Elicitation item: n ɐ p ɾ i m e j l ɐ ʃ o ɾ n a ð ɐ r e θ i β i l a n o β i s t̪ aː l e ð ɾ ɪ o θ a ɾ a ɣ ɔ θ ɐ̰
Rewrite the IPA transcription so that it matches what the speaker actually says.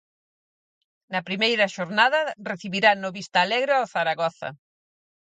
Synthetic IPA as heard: n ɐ p ɾ i m e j ɾ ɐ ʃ o ɾ n a ð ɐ r e θ i β i ɾ a n o β i s t̪ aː l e ɣ ɾ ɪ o θ a ɾ a ɣ ɔ θ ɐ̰